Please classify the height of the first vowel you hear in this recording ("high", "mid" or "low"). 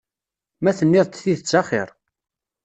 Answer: low